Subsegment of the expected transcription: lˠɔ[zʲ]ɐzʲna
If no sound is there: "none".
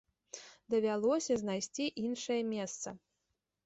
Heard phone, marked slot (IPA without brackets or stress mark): sʲ